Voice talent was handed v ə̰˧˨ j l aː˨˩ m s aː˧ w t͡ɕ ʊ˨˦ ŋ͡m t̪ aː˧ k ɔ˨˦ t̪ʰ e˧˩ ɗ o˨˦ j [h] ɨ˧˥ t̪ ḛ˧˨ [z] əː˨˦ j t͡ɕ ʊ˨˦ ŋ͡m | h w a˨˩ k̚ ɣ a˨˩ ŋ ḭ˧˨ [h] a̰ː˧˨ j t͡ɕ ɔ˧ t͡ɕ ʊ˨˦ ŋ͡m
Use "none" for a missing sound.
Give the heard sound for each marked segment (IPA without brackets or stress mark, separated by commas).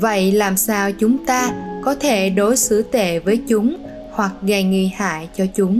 s, v, h